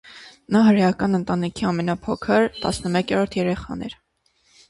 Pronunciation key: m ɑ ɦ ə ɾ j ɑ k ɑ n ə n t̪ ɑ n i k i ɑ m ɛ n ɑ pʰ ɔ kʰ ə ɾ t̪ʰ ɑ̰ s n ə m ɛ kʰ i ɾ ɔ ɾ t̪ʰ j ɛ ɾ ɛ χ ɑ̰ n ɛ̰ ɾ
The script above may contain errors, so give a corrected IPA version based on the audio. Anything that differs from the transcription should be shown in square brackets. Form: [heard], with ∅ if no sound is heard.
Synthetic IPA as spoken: [n] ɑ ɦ ə ɾ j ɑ k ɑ n ə n t̪ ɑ n i [kʰ] i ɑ m ɛ n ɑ pʰ ɔ kʰ ə ɾ [t̪] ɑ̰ s n ə m ɛ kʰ [ɛ] ɾ ɔ ɾ t̪ʰ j ɛ ɾ ɛ χ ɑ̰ n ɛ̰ ɾ